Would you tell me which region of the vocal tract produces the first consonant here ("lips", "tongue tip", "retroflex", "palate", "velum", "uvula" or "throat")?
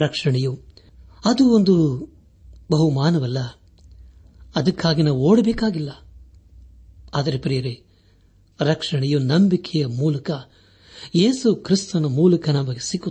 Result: tongue tip